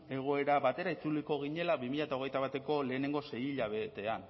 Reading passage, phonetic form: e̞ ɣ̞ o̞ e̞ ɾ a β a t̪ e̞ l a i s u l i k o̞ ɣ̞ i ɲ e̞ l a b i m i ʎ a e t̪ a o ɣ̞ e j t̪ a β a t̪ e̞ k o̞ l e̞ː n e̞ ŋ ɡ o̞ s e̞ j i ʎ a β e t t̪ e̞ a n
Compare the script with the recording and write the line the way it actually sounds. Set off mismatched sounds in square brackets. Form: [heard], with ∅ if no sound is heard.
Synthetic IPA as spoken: e̞ ɣ̞ o̞ e̞ ɾ a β a t̪ e̞ [ɾ] a i [t͡s] u l i k o̞ ɣ̞ i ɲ e̞ l a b i m i ʎ a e t̪ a o ɣ̞ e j t̪ a β a t̪ e̞ k o̞ l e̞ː n e̞ ŋ ɡ o̞ s e̞ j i ʎ a β e t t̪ e̞ a n